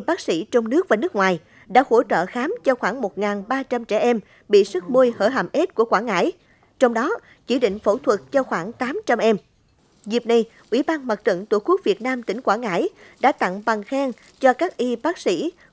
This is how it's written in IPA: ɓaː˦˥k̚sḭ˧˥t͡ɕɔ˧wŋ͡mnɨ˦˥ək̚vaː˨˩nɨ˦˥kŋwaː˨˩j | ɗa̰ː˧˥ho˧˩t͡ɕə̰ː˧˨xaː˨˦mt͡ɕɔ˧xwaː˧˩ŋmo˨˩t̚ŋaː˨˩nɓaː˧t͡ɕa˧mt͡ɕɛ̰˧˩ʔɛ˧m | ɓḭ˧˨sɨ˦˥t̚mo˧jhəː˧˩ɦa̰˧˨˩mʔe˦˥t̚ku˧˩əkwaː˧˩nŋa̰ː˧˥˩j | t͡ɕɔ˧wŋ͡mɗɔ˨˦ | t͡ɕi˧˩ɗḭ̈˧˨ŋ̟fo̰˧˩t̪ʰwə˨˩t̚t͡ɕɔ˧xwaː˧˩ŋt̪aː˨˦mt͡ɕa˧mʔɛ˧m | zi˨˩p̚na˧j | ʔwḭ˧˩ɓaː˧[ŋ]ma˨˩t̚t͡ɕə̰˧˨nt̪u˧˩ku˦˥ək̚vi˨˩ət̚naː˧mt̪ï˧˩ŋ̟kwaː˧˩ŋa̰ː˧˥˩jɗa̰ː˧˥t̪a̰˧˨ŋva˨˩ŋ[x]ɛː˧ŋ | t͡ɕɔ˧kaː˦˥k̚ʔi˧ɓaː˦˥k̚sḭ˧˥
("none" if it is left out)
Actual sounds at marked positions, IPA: n, x

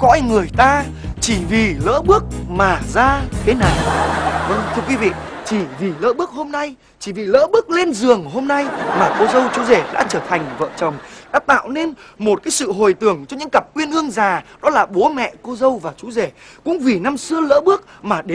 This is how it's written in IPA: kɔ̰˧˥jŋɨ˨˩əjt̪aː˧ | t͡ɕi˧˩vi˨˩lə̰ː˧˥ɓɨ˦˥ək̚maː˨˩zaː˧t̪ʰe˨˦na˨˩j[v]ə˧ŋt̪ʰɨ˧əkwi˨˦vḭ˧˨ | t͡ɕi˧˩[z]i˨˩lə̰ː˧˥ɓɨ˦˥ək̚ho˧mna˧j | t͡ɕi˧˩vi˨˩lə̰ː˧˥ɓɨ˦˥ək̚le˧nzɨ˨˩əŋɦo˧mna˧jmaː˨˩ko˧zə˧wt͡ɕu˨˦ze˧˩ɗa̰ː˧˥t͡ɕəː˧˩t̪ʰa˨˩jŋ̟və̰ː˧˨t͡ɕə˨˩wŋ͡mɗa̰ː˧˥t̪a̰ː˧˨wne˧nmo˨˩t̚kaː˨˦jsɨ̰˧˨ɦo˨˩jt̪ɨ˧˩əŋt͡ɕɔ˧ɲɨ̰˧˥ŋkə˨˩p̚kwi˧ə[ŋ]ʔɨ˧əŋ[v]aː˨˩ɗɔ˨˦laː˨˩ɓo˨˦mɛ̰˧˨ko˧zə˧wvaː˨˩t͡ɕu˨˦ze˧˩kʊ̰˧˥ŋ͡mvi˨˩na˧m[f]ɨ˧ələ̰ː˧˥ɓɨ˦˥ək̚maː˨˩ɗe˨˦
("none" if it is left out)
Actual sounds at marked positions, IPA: v, v, n, z, s

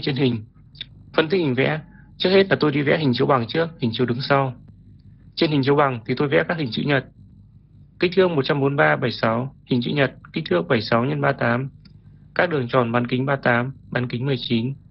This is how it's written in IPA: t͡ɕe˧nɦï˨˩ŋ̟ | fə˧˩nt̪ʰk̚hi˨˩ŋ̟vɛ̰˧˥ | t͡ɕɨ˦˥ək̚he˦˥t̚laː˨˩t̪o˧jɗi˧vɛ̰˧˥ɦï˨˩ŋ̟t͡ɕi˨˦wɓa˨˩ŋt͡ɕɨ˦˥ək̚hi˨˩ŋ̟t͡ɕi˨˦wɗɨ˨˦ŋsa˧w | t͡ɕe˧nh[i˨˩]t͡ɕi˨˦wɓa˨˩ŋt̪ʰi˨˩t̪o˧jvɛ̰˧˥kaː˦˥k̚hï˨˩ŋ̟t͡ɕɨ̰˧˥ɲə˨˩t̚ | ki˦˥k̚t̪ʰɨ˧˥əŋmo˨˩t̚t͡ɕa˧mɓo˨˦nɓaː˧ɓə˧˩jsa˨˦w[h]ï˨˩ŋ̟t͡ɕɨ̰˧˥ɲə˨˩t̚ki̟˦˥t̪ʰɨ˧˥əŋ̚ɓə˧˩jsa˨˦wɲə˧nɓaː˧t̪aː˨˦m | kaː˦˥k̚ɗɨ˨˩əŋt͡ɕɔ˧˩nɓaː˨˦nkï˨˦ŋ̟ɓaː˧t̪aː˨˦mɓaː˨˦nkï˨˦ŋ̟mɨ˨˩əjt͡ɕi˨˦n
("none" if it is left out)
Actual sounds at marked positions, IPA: i˨˩, h

